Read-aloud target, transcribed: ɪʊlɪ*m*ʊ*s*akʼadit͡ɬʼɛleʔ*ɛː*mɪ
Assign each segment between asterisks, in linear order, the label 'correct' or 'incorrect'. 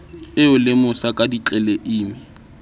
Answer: correct, correct, incorrect: iː

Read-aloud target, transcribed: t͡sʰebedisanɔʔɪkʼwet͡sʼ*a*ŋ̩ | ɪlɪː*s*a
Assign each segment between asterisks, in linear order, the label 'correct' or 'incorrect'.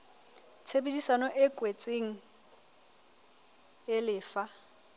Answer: incorrect: e, incorrect: f

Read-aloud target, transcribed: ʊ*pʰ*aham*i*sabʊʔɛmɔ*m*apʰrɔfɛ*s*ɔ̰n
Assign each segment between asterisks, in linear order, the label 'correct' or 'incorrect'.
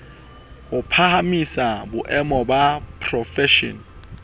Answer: correct, correct, incorrect: b, incorrect: ʃ

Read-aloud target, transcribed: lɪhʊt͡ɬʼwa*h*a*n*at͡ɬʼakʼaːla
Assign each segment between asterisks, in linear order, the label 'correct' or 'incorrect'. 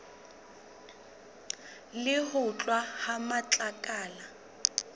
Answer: correct, incorrect: m

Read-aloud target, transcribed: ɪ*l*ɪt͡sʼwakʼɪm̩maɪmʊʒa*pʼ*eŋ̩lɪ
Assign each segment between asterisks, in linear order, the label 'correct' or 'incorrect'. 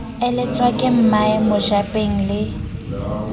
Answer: correct, correct

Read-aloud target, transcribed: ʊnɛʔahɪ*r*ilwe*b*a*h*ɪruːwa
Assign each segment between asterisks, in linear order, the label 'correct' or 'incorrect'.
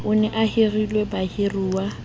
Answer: correct, correct, correct

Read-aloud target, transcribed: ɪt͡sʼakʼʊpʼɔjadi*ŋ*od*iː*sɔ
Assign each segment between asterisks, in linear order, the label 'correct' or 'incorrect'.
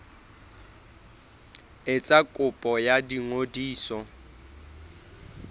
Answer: correct, correct

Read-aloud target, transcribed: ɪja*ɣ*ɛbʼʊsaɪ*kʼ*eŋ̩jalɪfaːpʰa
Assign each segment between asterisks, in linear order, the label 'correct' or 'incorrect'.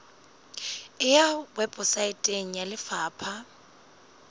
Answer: incorrect: w, incorrect: tʼ

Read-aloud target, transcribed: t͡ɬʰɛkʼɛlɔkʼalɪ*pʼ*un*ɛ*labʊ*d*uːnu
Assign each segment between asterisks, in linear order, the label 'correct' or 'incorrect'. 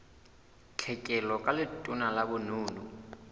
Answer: incorrect: tʼ, incorrect: a, incorrect: n

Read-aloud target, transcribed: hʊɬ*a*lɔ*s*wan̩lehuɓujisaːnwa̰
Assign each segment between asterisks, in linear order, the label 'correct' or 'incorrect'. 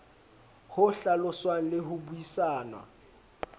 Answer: correct, correct

